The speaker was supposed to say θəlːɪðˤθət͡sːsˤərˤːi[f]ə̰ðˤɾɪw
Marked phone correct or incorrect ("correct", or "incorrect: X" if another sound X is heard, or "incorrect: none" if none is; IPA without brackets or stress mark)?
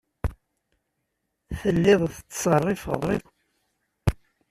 correct